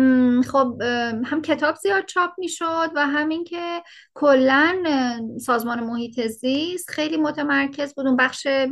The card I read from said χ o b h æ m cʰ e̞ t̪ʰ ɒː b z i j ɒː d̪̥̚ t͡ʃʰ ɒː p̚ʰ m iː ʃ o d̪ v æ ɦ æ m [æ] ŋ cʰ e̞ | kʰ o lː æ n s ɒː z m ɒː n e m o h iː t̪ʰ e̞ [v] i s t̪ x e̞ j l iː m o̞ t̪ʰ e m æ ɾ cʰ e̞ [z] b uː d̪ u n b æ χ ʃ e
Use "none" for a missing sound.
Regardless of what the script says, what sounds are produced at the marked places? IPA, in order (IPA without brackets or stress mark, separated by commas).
i, z, z